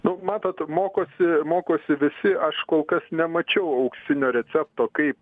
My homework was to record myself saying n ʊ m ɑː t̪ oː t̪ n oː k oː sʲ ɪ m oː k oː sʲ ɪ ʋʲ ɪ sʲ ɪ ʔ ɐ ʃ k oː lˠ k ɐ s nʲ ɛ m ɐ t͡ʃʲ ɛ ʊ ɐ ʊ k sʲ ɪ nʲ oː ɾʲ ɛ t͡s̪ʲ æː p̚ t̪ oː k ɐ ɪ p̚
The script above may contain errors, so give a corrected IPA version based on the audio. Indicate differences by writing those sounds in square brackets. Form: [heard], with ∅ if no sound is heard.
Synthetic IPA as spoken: n ʊ m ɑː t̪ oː t̪ [m] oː k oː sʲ ɪ m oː k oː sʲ ɪ ʋʲ ɪ sʲ ɪ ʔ ɐ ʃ k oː lˠ k ɐ s nʲ ɛ m ɐ t͡ʃʲ ɛ ʊ ɐ ʊ k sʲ ɪ nʲ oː ɾʲ ɛ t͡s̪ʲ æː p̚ t̪ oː k ɐ ɪ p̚